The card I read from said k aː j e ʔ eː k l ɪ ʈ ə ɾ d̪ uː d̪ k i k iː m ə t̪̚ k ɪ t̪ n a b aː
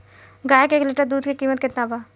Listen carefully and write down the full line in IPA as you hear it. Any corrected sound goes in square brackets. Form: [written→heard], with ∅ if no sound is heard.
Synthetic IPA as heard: [k→ɡ] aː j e [ʔ→k] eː k l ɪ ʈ ə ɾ d̪ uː d̪ k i k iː m ə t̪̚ k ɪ t̪ n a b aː